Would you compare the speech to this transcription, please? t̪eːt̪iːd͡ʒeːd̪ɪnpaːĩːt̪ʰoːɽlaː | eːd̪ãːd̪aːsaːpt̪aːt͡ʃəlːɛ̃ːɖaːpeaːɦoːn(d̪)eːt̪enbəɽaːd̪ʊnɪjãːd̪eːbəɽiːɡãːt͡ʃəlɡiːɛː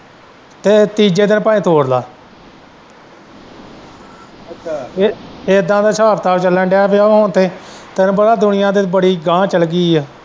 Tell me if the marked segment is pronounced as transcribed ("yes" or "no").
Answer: no